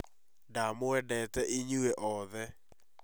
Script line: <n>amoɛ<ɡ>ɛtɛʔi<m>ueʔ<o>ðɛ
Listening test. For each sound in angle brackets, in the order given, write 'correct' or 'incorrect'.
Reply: incorrect, incorrect, incorrect, incorrect

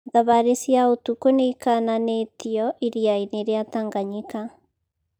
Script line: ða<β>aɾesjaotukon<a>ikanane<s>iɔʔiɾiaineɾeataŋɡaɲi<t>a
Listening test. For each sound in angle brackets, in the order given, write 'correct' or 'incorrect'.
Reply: correct, incorrect, incorrect, incorrect

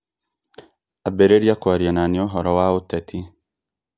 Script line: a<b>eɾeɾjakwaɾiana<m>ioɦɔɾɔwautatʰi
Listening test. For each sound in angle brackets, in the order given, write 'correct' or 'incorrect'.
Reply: correct, incorrect

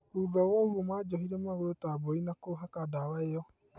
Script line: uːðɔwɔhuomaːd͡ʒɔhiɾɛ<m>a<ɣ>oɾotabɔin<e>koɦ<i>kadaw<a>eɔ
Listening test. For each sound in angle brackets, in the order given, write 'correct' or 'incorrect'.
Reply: correct, correct, incorrect, incorrect, correct

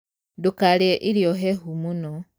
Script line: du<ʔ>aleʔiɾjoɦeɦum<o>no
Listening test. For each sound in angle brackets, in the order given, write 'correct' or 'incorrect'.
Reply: incorrect, incorrect

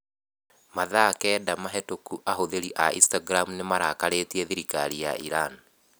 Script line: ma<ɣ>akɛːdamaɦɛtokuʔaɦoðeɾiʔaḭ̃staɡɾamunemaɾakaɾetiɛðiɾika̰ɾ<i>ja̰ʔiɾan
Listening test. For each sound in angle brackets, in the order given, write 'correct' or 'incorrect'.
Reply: incorrect, correct

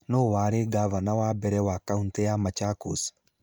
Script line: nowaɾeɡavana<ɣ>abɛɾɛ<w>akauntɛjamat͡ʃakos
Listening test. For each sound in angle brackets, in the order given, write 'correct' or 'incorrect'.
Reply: incorrect, correct

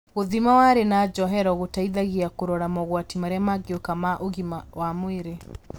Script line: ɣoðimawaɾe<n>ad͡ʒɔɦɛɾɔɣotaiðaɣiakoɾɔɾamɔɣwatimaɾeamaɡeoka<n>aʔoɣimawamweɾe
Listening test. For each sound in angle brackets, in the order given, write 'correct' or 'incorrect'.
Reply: correct, incorrect

